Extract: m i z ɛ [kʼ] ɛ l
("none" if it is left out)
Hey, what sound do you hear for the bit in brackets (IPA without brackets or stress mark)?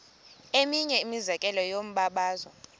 kʼ